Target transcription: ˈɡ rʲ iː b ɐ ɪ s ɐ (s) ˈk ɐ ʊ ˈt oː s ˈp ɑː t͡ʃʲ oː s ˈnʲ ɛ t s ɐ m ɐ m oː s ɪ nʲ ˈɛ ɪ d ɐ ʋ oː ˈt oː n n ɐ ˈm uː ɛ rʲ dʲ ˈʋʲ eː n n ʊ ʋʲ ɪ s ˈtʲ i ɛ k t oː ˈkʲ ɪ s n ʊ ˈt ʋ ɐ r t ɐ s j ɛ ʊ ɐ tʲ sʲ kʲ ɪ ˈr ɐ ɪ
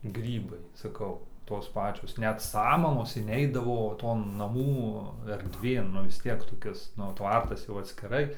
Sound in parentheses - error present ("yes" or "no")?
yes